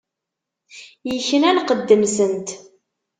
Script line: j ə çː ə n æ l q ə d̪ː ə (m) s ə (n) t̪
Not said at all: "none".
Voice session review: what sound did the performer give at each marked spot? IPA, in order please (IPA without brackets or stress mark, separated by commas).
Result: m, n